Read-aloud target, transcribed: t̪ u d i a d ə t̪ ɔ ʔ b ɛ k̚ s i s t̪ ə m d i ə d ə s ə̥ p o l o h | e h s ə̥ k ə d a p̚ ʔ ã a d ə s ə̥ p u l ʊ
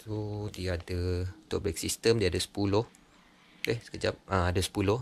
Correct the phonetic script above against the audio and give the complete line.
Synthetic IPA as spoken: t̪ u d i a d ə t̪ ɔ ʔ b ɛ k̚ s i s t̪ ə m d i a d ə s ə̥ p u l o h | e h s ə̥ k ə d͡ʒ a p̚ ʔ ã a d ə s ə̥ p u l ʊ